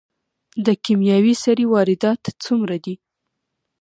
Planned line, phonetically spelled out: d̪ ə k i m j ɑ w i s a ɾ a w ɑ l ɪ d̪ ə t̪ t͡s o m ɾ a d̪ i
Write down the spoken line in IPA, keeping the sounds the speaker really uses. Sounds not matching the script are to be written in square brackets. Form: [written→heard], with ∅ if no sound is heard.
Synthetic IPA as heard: d̪ ə k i m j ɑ w i s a ɾ [a→i] w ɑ [l→ɾ] ɪ d̪ [ə→ɑ] t̪ t͡s [o→u] m ɾ a d̪ i